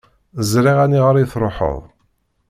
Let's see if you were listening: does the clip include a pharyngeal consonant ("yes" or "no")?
yes